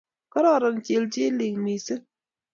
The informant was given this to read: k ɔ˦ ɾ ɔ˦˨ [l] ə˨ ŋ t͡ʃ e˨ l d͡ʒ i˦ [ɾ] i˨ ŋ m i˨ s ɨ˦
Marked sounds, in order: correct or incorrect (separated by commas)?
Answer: incorrect, incorrect